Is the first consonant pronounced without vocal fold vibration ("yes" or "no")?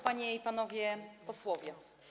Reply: yes